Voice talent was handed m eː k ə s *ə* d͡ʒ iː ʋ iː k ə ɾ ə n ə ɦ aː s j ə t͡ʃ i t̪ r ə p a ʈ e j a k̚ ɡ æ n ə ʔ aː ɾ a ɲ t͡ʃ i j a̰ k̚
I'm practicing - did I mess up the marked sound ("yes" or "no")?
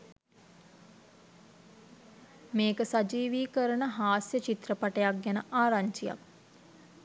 yes